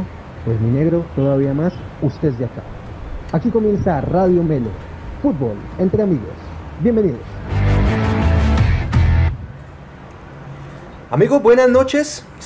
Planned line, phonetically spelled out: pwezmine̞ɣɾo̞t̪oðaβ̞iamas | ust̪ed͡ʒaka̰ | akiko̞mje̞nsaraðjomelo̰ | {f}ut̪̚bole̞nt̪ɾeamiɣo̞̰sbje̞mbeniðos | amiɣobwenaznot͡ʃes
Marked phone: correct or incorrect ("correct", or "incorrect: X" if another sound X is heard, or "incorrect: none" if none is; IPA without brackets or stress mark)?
correct